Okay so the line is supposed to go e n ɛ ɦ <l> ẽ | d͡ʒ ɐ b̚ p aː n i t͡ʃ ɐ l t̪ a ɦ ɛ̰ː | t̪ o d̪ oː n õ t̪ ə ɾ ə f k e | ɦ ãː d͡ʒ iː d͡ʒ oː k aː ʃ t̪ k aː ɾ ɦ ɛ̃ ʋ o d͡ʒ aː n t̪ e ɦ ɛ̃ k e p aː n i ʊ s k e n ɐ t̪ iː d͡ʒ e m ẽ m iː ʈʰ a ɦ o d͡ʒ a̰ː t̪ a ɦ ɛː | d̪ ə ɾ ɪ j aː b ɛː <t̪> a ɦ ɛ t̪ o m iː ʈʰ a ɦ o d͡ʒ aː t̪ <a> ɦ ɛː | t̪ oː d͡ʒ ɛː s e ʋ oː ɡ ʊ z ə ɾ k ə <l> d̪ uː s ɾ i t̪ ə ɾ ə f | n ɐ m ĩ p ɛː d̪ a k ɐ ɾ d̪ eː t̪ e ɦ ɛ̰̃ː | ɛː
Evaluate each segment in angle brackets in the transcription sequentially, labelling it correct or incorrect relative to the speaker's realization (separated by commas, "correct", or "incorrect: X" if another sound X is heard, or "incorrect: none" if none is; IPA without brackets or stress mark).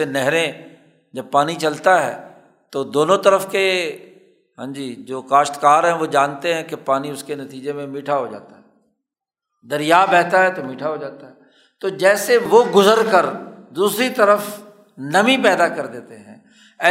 incorrect: ɾ, correct, correct, incorrect: ɾ